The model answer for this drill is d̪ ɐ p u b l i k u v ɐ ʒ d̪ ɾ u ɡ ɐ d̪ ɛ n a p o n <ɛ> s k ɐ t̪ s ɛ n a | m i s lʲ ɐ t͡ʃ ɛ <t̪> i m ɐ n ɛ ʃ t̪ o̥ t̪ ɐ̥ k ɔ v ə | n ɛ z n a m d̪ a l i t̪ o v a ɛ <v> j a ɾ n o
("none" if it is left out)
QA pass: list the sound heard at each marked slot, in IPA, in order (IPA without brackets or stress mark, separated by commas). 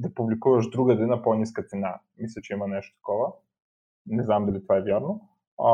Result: i, none, v